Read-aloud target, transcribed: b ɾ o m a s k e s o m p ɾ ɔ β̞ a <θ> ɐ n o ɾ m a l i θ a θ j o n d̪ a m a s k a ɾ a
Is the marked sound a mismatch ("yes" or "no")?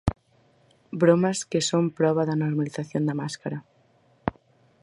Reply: yes